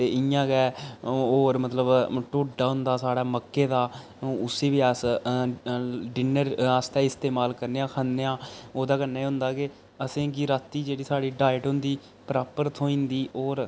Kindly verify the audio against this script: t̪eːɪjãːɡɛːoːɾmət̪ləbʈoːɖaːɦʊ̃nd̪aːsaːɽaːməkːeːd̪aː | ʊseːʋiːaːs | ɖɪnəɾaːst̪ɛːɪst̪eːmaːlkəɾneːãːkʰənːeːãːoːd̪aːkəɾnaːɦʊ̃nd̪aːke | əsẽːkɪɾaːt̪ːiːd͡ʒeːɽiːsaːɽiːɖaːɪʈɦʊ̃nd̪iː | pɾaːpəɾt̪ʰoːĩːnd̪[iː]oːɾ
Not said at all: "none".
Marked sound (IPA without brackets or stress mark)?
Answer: iː